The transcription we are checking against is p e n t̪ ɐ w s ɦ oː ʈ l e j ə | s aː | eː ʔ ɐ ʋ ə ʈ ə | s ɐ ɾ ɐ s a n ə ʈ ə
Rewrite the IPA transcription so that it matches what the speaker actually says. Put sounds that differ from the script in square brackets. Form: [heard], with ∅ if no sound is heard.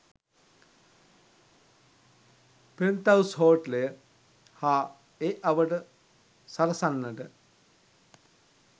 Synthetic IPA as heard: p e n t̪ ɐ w s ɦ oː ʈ l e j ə | [h] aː | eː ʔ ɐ ʋ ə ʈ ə | s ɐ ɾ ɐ s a [nː] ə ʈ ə